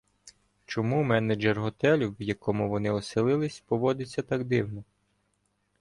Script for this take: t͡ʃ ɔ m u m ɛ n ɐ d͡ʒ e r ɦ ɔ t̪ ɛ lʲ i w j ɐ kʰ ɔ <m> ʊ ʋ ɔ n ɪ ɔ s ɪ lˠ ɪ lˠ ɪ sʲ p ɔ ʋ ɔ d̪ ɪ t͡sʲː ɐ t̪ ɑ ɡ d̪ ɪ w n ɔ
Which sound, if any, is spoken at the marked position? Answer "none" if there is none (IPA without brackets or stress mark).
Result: m